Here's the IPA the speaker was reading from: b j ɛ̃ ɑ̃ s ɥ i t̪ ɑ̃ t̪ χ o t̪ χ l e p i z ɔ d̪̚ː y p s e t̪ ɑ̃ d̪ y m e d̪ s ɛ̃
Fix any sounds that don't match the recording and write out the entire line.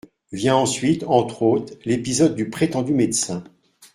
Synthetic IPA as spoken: v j ɛ̃ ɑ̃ s ɥ i t̪ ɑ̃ t̪ χ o t̪ χ l e p i z ɔ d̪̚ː y p χ e t̪ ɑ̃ d̪ y m e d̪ s ɛ̃